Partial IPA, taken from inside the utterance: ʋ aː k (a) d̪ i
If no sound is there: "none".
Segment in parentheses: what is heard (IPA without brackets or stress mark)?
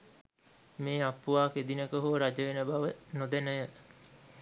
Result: e